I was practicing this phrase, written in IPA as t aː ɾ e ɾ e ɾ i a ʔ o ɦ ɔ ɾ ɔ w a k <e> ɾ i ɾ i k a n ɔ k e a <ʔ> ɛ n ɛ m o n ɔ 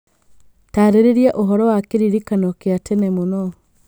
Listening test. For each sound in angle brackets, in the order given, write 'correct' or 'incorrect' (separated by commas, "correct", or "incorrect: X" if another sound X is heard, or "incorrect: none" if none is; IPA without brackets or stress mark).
correct, incorrect: t